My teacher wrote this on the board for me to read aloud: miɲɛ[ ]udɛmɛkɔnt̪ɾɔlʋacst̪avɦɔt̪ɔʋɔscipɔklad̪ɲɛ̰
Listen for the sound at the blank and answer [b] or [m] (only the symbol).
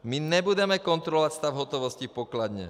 b